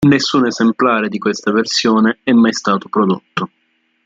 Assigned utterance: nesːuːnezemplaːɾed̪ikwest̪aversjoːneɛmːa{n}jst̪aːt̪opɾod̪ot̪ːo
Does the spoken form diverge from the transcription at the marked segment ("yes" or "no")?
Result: yes